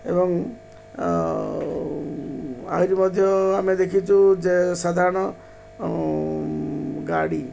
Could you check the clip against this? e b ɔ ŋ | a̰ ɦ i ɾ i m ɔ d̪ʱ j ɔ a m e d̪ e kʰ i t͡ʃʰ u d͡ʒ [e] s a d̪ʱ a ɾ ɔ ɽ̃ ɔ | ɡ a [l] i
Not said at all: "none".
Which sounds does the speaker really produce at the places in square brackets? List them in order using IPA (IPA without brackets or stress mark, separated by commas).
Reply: e, ɽ